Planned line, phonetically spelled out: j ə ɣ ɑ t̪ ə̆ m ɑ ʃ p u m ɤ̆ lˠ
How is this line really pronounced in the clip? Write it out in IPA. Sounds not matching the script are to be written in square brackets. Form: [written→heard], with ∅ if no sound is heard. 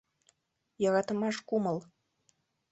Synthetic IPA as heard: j [ə→ɑ] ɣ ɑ t̪ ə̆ m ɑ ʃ [p→k] u m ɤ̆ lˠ